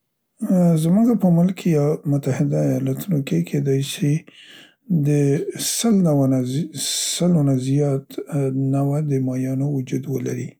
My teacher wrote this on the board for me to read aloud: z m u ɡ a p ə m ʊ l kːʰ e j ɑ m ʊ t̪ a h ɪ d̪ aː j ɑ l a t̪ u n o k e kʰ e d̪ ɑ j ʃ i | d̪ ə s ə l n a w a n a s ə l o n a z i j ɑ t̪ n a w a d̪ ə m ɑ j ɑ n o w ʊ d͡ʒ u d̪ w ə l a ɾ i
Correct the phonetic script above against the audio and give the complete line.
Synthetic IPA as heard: z m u ɡ a p ə m ʊ l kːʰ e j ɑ m ʊ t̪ a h ɪ d̪ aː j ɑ l a t̪ u n o k e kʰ e d̪ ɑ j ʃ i | d̪ ə s ə l n a w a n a s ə l o n a z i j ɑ t̪ n a w a d̪ ə m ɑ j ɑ n o w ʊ d͡ʒ u d̪ w ə l a ɾ i